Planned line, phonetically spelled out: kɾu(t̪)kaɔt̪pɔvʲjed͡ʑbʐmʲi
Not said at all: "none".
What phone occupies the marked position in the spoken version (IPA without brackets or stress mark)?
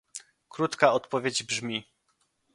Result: t̪